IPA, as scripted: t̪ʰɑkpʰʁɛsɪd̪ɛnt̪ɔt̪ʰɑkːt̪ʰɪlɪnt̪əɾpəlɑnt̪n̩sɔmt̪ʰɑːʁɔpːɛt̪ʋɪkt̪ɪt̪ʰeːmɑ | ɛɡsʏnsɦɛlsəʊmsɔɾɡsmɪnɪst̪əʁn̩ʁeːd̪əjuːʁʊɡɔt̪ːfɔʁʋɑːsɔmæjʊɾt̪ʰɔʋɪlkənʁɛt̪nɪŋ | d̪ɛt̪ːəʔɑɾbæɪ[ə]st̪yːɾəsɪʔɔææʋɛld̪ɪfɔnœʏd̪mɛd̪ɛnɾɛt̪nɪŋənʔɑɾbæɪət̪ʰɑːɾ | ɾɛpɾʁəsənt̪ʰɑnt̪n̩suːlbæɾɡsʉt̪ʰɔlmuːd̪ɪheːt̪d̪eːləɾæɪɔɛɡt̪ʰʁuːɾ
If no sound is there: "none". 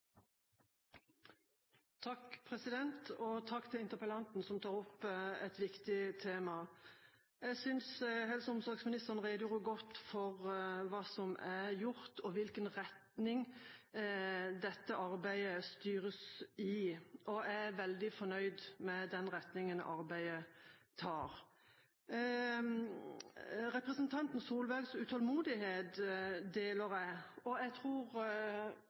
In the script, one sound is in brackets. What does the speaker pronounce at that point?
ə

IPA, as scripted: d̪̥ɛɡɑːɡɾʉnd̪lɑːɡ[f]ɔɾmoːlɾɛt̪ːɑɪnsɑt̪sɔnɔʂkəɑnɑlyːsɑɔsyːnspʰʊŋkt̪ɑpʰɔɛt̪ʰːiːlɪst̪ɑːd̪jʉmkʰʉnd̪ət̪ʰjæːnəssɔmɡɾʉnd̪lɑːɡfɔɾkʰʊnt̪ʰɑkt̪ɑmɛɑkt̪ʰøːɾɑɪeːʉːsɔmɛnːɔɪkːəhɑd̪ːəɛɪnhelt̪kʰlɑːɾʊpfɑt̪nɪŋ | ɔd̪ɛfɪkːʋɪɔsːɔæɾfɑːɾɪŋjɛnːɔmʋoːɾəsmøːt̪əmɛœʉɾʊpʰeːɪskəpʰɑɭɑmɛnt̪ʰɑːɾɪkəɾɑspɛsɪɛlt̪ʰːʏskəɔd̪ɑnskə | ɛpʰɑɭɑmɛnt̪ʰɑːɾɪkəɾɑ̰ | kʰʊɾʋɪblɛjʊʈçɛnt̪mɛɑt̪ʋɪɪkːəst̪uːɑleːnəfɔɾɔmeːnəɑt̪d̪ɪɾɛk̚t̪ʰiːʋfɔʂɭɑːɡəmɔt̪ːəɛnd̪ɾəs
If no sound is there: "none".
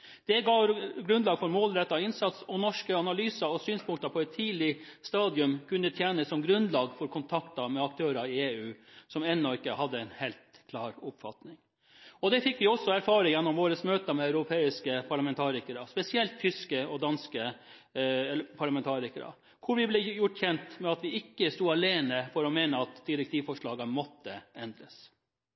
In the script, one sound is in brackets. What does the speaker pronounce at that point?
f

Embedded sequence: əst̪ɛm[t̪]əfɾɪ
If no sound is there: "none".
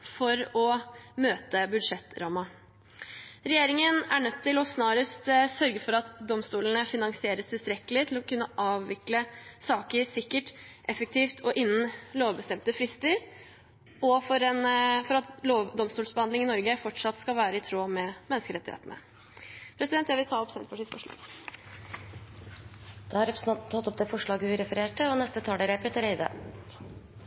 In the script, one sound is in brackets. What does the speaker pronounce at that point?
t̪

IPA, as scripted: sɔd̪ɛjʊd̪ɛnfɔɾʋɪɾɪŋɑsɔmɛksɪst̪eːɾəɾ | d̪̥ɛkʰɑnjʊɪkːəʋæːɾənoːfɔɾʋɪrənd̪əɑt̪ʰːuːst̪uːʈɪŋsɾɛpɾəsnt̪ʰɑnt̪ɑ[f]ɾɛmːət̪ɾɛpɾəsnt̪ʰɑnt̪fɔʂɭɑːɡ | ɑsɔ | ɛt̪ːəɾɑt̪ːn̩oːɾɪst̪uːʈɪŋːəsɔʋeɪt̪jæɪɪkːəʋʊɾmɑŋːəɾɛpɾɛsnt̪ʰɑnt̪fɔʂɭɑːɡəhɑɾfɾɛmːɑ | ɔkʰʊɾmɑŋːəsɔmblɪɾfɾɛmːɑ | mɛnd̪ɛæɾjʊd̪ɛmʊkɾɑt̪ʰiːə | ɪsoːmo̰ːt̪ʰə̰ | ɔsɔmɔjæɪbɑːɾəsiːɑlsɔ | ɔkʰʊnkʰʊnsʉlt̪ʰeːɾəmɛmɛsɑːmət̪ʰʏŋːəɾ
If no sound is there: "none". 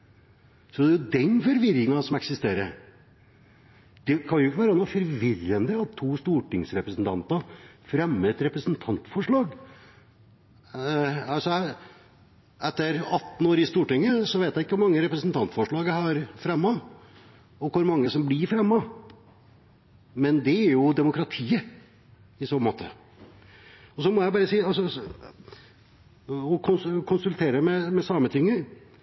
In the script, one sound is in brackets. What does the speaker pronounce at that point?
f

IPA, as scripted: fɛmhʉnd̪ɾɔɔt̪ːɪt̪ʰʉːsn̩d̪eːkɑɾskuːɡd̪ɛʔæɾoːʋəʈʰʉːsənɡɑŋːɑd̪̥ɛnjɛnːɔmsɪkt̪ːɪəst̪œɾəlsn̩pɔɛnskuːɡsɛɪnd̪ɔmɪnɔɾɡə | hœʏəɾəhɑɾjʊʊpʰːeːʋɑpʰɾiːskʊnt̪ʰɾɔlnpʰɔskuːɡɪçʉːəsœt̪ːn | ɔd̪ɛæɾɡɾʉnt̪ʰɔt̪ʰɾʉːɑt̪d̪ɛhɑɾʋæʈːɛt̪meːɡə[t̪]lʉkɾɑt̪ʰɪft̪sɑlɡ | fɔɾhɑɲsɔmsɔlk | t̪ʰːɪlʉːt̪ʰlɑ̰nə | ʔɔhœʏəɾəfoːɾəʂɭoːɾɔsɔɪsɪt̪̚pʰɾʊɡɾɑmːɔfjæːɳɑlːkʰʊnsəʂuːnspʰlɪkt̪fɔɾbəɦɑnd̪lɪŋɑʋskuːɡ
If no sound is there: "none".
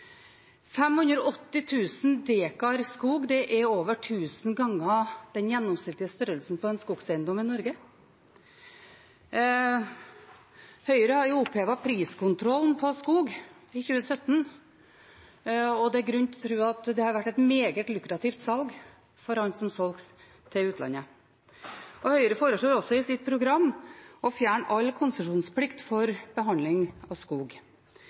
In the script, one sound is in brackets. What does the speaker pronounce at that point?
t̪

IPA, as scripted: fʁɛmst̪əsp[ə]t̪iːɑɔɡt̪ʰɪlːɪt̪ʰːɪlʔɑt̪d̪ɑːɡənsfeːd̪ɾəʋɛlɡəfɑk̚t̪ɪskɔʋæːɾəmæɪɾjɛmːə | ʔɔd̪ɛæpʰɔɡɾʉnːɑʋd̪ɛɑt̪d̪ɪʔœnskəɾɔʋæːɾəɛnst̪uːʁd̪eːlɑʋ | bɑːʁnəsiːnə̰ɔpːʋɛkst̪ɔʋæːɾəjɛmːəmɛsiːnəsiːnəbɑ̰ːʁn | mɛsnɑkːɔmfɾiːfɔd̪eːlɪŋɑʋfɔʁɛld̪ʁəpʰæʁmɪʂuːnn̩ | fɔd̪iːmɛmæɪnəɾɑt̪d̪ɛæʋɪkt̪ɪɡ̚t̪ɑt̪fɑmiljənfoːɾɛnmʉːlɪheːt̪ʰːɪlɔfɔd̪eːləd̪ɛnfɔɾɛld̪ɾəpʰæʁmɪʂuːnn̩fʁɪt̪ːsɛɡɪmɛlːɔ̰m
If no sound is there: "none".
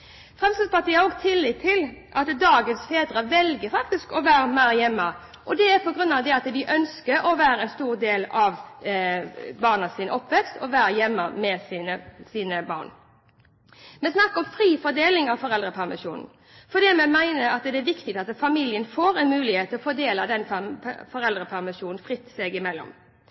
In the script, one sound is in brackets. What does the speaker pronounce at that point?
ɑ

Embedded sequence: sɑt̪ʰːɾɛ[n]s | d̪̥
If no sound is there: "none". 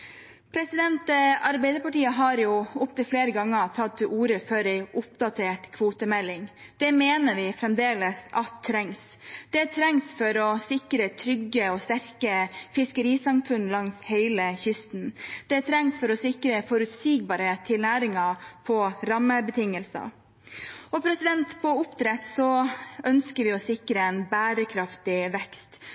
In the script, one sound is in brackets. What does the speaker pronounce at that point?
ŋ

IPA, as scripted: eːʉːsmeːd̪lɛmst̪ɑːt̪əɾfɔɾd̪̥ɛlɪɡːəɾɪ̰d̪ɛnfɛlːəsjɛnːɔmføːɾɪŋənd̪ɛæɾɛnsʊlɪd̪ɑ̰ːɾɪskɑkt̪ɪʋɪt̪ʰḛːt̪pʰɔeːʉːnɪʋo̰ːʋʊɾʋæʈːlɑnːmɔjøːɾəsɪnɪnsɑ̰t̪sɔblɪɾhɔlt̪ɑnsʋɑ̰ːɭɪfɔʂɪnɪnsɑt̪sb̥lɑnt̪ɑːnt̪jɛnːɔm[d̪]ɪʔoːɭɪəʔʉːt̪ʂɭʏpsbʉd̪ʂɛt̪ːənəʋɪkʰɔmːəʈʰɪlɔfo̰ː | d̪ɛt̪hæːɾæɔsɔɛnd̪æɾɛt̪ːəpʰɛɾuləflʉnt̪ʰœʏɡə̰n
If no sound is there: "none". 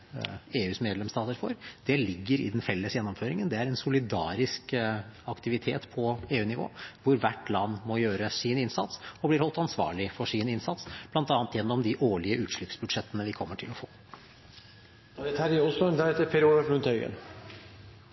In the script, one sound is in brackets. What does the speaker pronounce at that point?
d̪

